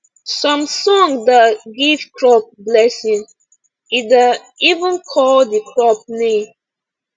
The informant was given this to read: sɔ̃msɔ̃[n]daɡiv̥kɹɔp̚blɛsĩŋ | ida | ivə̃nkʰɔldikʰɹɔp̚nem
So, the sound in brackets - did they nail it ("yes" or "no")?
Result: no